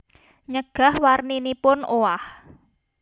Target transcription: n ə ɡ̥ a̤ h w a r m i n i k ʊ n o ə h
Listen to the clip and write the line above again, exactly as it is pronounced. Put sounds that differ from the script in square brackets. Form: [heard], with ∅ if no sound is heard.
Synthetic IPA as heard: [ɲ] ə ɡ̥ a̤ h w a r [n] i n i [p] ʊ n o [a] h